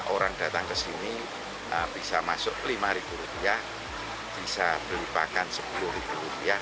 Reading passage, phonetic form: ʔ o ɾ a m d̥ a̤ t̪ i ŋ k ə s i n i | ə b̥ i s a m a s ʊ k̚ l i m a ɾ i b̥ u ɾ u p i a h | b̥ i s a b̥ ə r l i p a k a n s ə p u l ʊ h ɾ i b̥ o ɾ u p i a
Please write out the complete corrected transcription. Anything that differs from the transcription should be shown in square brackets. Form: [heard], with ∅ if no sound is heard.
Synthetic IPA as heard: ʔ o ɾ a [ŋ] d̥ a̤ t̪ [a] ŋ k ə s i n i | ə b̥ i s a m a s ʊ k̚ l i m a ɾ i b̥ u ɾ u p i a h | b̥ i s a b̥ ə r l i p a k a n s ə p u l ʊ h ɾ i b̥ [u] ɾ u p i a